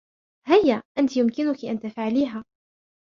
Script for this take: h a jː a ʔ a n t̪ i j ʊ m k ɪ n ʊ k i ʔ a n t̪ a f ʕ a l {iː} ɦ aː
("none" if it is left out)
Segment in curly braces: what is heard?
iː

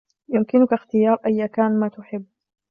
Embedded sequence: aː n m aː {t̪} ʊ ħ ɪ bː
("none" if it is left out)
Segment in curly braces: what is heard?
t̪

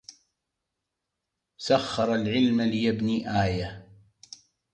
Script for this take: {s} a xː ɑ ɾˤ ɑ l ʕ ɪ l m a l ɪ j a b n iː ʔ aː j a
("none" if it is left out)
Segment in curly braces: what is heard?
s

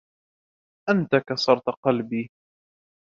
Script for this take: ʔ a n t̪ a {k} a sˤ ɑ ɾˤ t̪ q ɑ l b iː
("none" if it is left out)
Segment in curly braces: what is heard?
k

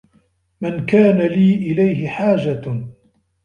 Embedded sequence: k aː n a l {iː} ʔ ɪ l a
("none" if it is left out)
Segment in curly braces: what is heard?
iː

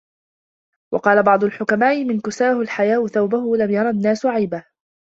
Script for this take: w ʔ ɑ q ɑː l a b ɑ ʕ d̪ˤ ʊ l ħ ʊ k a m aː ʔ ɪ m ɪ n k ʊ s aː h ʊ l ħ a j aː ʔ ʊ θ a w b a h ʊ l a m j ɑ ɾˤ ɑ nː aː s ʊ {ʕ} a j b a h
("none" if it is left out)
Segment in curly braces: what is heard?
ʕ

